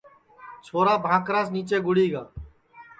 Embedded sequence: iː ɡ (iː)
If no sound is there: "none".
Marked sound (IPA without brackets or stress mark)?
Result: aː